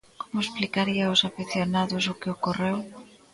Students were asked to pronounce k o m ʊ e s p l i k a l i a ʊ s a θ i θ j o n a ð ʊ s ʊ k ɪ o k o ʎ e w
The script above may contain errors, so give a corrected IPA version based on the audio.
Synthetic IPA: k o m ʊ e s p l i k a ɾ i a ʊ s a f i θ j o n a ð ʊ s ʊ k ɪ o k o r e w